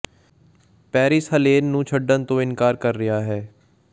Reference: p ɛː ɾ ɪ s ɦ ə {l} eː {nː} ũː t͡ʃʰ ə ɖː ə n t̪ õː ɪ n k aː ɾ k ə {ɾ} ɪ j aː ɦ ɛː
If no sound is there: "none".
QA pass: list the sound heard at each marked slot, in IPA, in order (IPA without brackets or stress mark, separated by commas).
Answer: l, nː, ɾː